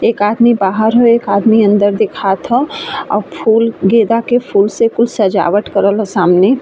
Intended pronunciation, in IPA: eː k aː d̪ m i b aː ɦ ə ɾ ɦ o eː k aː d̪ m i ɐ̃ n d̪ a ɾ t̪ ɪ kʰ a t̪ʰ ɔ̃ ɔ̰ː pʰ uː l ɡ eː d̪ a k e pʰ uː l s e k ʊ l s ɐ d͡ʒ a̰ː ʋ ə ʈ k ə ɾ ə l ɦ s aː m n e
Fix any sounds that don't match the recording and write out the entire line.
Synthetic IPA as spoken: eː k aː d̪ m i b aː ɦ ə ɾ ɦ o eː k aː d̪ m i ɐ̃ n d̪ ə ɾ d̪ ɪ kʰ a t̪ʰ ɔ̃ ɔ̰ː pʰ uː l ɡ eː d̪ a k e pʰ uː l s e k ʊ l s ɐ d͡ʒ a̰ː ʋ ə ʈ k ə ɾ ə l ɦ s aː m n e